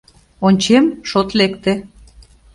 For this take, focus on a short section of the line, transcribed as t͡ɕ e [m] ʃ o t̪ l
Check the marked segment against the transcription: correct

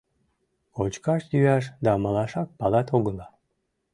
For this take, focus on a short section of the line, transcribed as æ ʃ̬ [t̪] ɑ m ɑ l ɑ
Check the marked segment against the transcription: incorrect: d̪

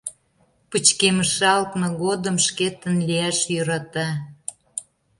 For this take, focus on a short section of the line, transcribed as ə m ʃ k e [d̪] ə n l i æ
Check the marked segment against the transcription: incorrect: t̪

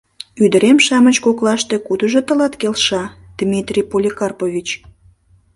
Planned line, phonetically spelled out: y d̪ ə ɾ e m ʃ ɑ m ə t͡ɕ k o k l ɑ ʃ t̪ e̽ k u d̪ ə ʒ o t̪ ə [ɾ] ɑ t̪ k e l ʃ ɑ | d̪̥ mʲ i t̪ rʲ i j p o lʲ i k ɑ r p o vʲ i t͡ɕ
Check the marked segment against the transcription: incorrect: l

